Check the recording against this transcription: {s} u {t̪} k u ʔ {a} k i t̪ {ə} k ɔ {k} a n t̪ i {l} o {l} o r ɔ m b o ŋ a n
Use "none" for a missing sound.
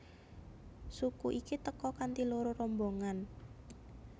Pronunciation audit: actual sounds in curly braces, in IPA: s, none, i, ə, k, l, ɾ

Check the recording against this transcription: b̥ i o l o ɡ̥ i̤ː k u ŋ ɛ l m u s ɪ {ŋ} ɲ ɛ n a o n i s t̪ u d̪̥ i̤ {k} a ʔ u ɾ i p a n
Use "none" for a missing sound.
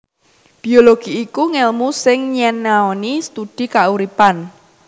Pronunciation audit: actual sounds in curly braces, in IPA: ŋ, k

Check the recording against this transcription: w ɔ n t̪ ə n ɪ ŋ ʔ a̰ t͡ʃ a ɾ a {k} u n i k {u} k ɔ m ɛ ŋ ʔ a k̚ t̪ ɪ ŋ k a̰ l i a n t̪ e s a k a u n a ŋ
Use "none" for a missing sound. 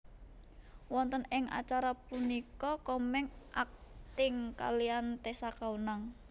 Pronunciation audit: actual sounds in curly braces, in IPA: p, ɔ

